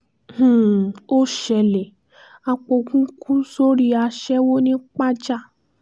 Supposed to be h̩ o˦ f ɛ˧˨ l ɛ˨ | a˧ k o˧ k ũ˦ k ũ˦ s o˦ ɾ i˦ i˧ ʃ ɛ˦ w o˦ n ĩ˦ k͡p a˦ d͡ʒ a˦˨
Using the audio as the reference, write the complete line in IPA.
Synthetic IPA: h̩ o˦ ʃ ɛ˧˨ l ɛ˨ | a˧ k͡p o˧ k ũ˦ k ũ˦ s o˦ ɾ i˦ a˧ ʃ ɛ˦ w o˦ n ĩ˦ k͡p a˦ d͡ʒ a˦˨